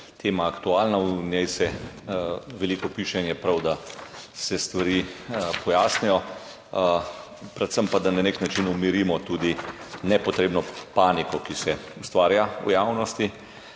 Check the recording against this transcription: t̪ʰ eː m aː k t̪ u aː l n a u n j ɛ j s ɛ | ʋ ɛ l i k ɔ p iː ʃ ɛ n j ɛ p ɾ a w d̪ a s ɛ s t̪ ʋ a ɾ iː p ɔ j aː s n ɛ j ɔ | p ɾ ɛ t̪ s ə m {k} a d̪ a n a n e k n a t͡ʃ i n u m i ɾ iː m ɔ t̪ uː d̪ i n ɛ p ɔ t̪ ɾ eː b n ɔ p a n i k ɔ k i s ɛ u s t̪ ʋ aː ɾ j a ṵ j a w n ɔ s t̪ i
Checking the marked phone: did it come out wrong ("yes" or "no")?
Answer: yes